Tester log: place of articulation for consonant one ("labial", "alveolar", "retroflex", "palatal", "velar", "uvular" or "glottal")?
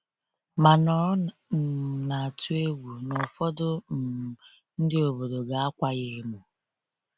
labial